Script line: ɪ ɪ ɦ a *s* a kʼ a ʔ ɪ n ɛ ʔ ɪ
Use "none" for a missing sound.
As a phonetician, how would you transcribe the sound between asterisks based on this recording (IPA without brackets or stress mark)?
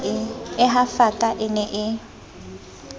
f